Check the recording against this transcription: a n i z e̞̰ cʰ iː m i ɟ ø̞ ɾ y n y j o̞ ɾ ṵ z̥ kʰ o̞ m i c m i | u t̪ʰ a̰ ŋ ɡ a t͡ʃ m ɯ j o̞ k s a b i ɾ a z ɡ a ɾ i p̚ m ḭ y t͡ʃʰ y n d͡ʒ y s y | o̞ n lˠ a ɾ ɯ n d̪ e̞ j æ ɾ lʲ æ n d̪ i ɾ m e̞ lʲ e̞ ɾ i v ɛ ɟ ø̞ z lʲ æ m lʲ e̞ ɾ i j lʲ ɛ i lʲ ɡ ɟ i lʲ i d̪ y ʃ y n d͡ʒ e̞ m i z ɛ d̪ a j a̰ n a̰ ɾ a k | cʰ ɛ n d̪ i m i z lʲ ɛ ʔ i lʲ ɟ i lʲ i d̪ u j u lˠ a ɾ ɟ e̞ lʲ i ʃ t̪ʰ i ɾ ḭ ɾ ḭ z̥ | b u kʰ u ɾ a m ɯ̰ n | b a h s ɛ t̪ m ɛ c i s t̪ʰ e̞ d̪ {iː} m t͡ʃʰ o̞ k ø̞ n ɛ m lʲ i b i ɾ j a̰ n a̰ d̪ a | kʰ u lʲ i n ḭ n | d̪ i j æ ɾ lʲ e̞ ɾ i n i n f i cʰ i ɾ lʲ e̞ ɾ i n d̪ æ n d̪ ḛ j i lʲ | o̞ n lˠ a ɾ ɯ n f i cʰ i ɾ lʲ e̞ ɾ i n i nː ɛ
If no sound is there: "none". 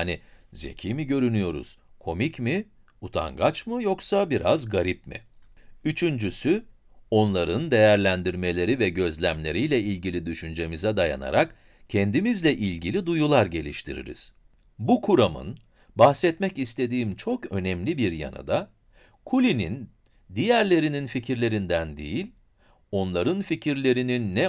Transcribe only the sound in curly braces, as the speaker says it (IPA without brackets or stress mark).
iː